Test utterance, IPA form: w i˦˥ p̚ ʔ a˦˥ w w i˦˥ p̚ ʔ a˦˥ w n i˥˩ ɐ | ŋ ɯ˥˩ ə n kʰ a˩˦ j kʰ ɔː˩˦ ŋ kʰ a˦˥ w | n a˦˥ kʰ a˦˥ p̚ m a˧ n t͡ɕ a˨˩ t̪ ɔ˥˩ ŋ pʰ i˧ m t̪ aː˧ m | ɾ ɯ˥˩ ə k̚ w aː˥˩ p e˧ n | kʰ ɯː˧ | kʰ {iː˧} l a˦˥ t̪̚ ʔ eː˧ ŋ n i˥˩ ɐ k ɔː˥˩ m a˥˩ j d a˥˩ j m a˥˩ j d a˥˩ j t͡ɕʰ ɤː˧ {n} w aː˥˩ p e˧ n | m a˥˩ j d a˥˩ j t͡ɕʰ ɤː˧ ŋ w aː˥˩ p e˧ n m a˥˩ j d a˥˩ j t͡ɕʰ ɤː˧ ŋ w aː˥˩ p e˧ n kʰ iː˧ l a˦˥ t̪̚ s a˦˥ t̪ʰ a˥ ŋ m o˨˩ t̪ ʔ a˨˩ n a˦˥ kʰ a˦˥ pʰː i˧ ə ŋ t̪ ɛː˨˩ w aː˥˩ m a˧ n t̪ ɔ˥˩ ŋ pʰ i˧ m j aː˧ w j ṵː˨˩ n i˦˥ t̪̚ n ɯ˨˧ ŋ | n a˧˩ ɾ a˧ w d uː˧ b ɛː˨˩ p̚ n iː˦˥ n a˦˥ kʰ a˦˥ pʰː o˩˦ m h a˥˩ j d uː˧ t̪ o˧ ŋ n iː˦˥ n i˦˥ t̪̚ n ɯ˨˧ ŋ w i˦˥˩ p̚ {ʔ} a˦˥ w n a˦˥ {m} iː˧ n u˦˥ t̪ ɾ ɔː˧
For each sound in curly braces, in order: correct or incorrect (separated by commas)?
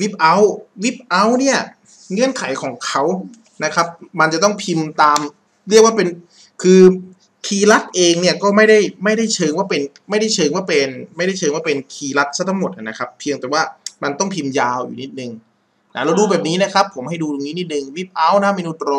correct, incorrect, correct, correct